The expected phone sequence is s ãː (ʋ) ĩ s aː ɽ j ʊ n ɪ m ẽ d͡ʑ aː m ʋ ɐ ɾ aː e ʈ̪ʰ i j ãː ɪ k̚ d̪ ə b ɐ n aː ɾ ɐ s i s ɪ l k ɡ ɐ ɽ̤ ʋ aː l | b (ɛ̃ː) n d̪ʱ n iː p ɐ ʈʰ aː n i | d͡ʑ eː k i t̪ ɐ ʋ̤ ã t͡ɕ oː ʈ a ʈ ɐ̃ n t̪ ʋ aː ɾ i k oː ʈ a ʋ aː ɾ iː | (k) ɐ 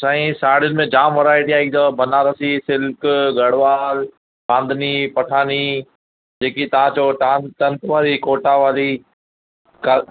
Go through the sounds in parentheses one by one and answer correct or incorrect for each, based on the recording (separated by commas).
incorrect, incorrect, correct